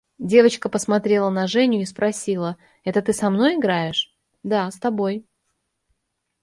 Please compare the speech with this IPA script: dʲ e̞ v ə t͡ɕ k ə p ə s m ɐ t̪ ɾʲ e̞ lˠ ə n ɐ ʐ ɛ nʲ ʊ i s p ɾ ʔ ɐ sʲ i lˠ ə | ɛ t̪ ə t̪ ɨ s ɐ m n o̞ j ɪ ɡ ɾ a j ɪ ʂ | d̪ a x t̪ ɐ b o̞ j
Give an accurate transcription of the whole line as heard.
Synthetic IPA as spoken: dʲ e̞ v ə t͡ɕ k ə p ə s m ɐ t̪ ɾʲ e̞ lˠ ə n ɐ ʐ ɛ nʲ ʊ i s p ɾ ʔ ɐ sʲ i lˠ ə | ɛ t̪ ə t̪ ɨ s ɐ m n o̞ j ɪ ɡ ɾ a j ɪ ʂ | d̪ a s t̪ ɐ b o̞ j